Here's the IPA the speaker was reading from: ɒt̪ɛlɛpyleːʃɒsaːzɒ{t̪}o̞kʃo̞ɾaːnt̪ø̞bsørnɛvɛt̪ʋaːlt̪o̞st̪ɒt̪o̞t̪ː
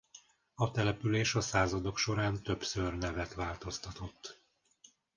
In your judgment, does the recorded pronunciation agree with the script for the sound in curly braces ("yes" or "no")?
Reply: no